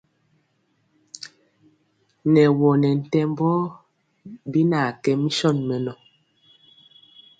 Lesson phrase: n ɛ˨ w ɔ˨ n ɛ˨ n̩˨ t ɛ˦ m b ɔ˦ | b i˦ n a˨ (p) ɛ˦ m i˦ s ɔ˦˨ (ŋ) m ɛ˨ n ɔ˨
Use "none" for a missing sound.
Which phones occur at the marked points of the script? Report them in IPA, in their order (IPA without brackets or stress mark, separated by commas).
k, n